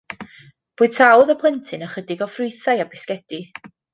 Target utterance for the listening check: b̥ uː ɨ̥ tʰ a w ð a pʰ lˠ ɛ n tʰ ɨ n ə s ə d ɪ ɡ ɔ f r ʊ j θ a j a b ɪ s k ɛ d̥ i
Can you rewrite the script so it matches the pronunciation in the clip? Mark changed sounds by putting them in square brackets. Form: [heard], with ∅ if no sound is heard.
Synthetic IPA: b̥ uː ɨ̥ tʰ a w ð [ə] pʰ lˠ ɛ n tʰ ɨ n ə [χ] ə d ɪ ɡ ɔ f r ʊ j θ a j a b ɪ s k ɛ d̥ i